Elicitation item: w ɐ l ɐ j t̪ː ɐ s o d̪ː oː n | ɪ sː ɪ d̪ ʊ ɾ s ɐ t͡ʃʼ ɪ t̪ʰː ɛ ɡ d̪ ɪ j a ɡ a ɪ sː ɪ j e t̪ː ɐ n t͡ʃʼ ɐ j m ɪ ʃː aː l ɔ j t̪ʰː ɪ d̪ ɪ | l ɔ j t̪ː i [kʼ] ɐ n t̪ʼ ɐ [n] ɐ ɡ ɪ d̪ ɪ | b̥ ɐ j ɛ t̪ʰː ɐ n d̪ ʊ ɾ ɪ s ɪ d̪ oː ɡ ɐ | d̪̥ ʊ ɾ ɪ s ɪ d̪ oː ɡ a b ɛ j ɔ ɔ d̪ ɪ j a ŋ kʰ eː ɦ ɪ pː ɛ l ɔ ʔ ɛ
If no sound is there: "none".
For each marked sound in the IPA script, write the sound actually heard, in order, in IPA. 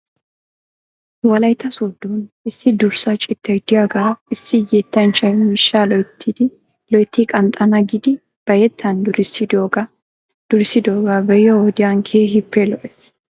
kʼ, n

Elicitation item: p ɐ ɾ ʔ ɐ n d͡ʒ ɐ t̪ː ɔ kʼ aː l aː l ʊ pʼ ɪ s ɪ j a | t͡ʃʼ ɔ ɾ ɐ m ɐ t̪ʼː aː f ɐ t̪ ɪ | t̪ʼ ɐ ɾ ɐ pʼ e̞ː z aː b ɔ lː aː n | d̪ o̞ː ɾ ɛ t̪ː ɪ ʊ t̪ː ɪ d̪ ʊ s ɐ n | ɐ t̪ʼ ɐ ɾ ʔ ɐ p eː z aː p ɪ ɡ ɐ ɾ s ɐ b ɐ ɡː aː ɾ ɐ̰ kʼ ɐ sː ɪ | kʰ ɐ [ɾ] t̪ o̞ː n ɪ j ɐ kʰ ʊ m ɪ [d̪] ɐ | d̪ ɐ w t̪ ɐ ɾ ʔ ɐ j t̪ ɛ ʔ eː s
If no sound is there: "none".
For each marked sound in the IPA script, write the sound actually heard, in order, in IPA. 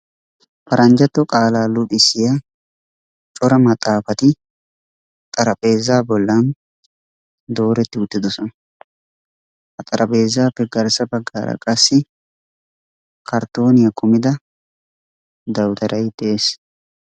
ɾ, d̪

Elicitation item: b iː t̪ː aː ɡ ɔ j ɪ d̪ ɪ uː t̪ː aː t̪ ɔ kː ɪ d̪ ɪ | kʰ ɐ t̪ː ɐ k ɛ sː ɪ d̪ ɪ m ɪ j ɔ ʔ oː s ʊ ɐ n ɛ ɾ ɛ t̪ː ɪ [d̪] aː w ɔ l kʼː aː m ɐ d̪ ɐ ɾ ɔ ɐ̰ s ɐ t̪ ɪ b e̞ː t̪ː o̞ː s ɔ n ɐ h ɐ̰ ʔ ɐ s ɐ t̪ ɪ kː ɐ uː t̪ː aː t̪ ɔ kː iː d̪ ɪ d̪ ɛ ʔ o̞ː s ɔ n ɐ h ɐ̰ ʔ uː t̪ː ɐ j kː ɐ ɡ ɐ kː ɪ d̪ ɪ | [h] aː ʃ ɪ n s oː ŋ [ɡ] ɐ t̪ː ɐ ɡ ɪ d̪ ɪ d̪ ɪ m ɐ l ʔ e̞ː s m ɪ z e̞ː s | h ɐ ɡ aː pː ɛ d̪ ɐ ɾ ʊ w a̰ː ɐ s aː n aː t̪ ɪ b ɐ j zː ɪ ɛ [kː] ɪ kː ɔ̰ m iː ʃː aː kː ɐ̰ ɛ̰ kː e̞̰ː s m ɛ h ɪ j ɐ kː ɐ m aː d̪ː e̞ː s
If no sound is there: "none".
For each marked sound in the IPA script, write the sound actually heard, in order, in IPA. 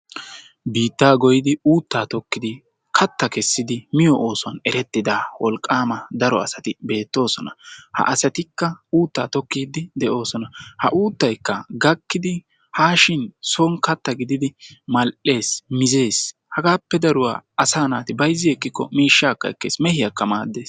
d̪, h, k, kː

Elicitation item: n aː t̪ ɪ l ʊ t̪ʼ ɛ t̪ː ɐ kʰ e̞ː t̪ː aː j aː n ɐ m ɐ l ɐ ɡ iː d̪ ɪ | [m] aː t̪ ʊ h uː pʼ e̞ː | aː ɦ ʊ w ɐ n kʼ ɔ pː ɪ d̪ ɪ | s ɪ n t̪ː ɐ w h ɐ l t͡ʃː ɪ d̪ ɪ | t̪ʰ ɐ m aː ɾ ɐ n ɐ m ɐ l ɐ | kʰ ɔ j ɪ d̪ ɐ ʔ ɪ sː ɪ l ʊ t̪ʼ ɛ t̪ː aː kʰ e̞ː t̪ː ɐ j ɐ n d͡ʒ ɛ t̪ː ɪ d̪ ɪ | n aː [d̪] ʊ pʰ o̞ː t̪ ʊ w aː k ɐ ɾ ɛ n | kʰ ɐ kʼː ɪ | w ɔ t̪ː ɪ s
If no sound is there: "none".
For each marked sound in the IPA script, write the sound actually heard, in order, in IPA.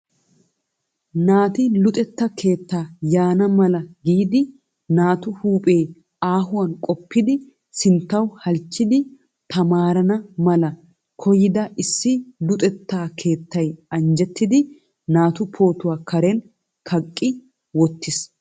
n, t̪

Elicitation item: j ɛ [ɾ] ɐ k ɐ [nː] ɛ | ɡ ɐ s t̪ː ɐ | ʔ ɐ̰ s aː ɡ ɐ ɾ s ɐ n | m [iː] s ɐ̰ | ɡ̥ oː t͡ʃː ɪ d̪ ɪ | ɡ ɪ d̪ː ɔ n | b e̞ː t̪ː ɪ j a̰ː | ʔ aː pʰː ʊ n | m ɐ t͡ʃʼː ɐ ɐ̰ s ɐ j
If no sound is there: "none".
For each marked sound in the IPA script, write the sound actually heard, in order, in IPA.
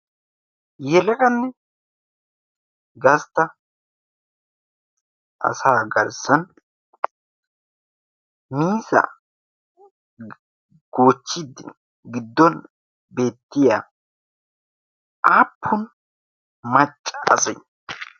l, nː, iː

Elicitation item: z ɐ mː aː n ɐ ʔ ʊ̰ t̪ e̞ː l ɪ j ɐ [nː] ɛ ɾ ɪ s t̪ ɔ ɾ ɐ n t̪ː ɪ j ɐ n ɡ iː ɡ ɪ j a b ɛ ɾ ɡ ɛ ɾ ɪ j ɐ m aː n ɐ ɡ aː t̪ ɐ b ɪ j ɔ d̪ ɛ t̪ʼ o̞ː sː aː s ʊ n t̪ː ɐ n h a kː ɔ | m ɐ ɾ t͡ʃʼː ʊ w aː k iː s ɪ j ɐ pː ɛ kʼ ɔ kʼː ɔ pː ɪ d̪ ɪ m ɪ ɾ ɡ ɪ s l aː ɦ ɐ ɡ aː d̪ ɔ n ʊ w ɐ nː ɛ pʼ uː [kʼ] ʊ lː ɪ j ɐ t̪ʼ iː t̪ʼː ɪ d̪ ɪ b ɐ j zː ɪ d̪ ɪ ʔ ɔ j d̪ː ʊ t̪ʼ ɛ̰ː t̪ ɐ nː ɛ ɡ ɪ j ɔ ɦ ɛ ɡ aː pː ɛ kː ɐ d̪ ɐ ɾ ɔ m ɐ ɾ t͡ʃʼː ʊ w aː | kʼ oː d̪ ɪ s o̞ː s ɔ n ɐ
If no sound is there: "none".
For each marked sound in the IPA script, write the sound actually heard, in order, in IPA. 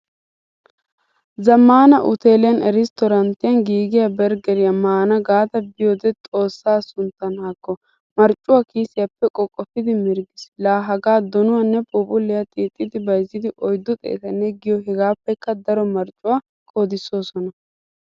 n, pʼ

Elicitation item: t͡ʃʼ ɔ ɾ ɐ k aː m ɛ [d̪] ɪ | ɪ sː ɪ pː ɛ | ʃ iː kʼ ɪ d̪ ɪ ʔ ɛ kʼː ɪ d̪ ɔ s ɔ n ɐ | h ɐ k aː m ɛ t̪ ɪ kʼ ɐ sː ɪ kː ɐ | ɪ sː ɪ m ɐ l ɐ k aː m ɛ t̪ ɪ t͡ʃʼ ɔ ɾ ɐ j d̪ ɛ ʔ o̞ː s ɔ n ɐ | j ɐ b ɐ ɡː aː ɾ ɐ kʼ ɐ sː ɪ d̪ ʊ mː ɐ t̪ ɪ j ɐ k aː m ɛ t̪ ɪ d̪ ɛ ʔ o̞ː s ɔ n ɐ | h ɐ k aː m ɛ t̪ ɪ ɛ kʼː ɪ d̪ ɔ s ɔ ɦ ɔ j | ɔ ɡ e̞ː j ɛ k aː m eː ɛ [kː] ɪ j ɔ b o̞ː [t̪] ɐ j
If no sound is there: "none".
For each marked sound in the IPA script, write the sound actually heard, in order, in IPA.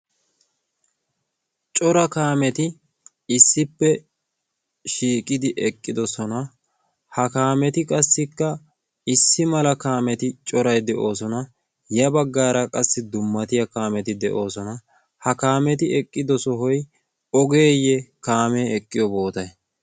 t̪, kʼː, t̪

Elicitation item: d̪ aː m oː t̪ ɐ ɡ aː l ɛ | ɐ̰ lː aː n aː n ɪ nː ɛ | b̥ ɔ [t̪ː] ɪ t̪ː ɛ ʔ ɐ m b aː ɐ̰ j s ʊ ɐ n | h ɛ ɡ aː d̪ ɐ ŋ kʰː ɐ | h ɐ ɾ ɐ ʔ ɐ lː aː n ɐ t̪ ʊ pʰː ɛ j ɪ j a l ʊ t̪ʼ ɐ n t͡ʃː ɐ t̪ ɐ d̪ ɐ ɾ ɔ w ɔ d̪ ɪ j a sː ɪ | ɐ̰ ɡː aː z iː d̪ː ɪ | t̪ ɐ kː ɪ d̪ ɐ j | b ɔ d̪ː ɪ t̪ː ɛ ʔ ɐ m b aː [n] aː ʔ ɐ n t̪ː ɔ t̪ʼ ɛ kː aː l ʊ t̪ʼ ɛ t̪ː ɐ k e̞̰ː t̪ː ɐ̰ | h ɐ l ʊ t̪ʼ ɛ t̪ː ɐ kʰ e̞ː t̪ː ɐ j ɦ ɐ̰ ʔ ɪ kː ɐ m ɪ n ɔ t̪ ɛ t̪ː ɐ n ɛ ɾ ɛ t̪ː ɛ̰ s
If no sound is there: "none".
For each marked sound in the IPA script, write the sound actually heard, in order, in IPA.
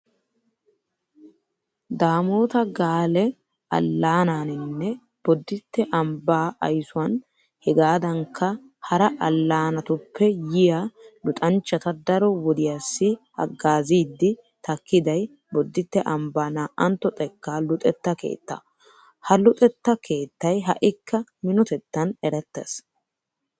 d̪ː, n

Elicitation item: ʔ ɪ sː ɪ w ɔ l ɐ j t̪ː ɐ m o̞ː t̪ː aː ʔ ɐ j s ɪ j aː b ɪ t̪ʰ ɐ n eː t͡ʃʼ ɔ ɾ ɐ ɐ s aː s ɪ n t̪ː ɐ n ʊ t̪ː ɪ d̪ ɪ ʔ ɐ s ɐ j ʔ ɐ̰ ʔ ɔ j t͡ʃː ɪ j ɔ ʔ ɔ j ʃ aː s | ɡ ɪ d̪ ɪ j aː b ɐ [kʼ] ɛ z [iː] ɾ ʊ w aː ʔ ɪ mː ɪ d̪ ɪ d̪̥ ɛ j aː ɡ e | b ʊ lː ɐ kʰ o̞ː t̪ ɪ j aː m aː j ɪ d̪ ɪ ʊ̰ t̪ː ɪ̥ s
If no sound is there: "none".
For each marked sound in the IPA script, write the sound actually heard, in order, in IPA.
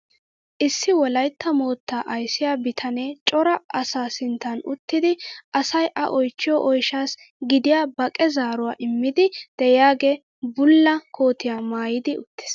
kʼ, aː

